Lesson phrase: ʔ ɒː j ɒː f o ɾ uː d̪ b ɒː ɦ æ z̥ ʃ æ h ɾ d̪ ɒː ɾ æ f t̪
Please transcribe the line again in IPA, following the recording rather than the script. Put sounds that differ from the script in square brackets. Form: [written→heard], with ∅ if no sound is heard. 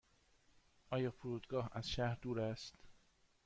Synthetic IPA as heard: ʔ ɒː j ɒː f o ɾ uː d̪ [b→ɡ] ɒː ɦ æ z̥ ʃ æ h ɾ d̪ [ɒː→uː] ɾ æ [f→s] t̪